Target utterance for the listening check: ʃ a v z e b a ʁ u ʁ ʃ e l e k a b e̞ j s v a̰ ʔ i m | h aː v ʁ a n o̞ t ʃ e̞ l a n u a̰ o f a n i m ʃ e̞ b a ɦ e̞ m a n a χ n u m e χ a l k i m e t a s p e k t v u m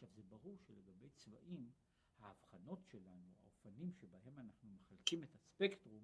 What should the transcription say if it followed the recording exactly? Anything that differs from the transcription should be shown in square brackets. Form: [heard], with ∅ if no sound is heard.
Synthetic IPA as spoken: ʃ a v z e b a ʁ u ʁ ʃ e l e [ɡ] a b e̞ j [t͡s] v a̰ ʔ i m | h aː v [χ] a n o̞ t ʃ e̞ l a n u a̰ o f a n i m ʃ e̞ b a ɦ e̞ m a n a χ n u m e χ a l k i m e t a s p e k t [ʁ] u m